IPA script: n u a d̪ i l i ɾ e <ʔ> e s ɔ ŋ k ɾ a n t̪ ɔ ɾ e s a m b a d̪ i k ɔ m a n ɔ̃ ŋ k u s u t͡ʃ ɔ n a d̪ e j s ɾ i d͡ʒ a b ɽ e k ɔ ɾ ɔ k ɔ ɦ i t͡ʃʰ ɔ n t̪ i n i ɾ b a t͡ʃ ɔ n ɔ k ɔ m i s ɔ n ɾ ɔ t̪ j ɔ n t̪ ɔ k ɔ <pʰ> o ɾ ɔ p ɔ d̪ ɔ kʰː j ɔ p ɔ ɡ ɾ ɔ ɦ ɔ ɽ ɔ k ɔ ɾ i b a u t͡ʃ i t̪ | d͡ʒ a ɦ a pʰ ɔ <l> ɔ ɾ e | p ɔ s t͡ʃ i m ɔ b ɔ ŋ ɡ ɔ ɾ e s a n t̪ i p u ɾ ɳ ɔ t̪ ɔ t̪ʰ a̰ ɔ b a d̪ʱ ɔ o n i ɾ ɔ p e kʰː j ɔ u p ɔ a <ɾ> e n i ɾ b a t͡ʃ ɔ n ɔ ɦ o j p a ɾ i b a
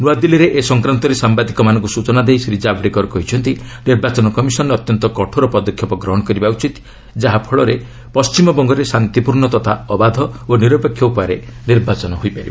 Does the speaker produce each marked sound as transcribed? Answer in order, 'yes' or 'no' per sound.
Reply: yes, no, no, yes

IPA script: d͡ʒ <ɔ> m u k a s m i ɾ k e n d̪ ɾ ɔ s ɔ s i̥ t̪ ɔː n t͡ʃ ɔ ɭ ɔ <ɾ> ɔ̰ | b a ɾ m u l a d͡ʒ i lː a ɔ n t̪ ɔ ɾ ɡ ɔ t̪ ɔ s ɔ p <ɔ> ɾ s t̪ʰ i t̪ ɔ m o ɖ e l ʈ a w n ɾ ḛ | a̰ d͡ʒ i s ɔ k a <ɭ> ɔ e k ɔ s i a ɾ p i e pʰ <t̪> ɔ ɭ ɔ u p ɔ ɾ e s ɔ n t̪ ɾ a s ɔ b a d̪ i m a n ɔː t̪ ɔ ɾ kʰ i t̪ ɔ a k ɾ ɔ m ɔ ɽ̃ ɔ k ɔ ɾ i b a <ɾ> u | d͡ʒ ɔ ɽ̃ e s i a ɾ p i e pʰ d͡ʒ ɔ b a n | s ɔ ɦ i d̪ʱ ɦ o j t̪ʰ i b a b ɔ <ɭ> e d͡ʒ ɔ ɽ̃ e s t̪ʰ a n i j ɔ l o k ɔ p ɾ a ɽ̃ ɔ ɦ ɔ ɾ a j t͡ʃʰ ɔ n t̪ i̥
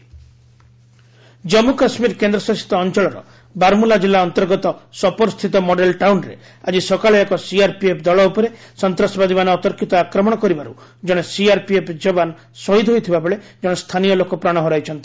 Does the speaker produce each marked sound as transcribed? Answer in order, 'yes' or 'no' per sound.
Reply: yes, yes, yes, yes, no, yes, yes

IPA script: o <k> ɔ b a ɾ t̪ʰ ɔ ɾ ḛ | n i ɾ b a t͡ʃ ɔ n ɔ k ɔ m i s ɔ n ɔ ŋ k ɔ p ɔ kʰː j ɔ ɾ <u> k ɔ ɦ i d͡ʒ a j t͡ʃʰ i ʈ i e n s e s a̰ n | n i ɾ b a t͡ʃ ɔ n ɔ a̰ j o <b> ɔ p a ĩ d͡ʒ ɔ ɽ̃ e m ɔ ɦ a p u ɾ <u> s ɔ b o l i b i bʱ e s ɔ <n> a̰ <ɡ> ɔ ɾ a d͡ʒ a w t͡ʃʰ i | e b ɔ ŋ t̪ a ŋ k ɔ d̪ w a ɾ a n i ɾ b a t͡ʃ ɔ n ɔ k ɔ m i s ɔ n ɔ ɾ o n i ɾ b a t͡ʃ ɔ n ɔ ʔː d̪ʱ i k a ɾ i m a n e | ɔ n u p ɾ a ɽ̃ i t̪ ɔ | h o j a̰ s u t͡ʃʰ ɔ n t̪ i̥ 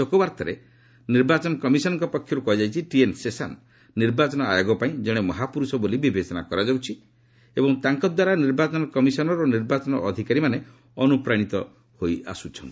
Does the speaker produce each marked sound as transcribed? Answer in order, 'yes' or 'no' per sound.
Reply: yes, yes, no, yes, yes, no

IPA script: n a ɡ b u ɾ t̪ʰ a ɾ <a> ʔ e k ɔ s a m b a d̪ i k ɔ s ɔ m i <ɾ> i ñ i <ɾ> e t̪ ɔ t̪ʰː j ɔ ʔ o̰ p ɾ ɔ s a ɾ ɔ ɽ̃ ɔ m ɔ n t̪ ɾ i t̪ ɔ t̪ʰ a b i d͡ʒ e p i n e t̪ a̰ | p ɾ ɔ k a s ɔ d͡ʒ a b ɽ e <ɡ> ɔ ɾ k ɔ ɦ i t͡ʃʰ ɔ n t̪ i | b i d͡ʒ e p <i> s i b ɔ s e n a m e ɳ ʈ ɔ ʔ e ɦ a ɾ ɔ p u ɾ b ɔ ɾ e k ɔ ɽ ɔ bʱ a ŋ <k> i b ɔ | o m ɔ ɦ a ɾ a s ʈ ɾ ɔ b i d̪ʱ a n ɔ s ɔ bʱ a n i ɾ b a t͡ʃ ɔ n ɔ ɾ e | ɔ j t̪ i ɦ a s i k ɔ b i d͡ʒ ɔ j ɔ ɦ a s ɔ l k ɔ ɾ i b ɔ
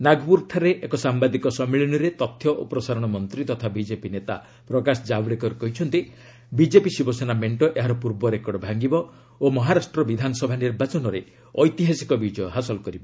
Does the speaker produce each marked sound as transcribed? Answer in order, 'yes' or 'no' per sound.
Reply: no, no, yes, no, yes, no

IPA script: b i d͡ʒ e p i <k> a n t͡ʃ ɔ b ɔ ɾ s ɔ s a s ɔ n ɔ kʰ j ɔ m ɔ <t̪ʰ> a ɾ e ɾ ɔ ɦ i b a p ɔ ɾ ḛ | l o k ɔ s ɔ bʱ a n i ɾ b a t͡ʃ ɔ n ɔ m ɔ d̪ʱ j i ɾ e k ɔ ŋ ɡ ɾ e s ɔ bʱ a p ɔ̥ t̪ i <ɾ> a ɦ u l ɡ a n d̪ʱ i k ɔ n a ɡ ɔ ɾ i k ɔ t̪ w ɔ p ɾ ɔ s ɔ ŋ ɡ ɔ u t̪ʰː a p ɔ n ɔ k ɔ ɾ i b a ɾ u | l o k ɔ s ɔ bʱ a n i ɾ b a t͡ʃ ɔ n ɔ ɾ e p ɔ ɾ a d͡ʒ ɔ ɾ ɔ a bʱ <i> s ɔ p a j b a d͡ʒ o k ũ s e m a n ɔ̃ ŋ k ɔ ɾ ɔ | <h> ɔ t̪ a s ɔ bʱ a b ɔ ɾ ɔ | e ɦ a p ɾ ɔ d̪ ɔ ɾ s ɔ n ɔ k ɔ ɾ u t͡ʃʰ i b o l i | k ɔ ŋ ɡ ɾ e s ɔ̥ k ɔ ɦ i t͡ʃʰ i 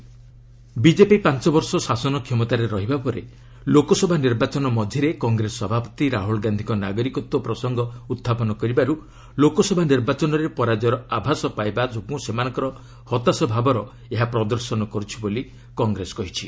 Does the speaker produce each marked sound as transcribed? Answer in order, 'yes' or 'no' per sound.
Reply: no, no, yes, no, yes

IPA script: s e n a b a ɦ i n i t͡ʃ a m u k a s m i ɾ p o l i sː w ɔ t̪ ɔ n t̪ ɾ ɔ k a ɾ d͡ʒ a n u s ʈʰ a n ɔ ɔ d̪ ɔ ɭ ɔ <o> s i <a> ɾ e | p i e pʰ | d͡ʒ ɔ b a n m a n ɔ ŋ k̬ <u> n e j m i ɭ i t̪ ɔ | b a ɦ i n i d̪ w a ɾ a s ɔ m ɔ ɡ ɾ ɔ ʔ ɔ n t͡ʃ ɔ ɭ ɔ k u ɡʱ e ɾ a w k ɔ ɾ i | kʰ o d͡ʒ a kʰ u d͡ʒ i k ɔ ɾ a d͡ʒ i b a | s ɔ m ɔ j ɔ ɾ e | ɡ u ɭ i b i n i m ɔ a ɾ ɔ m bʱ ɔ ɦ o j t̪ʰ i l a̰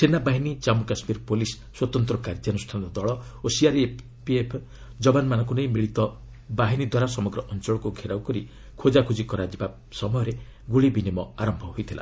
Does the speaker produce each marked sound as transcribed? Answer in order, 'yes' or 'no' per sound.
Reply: yes, yes, yes

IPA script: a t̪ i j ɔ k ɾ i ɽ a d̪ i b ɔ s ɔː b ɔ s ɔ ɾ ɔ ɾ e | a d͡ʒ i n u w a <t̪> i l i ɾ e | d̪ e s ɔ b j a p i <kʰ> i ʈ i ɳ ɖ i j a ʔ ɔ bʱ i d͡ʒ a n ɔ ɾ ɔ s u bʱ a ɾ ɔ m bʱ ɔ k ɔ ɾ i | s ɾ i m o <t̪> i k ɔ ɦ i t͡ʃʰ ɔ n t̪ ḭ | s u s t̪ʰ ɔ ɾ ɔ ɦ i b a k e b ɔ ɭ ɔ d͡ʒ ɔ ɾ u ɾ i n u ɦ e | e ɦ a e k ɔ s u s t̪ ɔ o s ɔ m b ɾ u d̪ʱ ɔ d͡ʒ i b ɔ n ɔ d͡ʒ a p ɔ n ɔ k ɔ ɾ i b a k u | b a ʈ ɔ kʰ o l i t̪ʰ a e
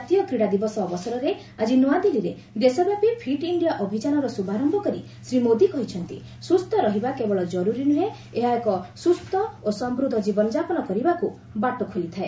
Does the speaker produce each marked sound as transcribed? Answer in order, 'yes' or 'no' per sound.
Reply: no, no, no

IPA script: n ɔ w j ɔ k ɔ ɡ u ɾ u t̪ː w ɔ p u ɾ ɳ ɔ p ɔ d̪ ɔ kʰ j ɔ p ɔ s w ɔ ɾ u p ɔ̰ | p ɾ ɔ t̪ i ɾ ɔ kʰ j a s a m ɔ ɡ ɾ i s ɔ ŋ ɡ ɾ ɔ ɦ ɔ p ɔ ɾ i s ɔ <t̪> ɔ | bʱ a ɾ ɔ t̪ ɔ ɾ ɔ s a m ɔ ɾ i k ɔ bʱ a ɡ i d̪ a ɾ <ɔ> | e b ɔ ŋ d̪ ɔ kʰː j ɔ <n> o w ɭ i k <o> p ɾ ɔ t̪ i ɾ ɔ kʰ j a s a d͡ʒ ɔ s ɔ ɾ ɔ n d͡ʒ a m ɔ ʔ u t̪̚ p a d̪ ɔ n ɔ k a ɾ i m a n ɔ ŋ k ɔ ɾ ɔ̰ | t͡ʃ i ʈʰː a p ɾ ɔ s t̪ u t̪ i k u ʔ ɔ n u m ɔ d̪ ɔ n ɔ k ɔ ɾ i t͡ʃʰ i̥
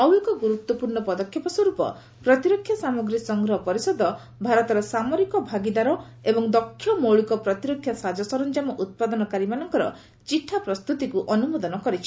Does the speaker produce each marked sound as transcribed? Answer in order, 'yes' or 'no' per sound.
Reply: no, yes, no, no

